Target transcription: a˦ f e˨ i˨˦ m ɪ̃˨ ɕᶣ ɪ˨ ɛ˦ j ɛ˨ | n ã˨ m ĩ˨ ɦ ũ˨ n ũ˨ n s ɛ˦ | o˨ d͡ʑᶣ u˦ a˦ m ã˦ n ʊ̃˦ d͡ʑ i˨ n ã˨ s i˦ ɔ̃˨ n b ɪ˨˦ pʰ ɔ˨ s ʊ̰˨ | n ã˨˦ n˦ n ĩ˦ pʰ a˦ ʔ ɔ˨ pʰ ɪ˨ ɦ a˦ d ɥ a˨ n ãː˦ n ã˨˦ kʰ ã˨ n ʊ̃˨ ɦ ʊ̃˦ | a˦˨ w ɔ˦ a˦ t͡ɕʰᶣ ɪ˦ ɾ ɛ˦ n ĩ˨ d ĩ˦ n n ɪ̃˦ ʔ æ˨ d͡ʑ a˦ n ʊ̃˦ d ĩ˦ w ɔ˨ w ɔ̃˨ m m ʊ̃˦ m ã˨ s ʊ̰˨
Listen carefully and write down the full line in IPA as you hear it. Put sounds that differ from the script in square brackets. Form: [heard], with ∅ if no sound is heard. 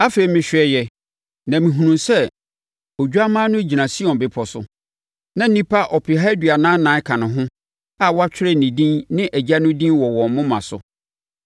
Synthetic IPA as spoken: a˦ f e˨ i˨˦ m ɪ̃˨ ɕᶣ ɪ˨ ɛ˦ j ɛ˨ | n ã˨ m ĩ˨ ɦ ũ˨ n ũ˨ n s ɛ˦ | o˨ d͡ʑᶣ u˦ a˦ m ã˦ n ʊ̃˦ d͡ʑ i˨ n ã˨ s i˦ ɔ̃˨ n b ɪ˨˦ pʰ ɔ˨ s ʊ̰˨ | n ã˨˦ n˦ n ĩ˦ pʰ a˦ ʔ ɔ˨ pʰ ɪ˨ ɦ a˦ d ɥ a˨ n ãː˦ n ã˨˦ kʰ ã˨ n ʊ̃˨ ɦ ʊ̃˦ | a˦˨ w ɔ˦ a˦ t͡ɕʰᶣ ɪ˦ ɾ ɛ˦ n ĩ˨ d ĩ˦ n n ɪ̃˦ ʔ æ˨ d͡ʑ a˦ n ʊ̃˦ d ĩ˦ w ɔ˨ w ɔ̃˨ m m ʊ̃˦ m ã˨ s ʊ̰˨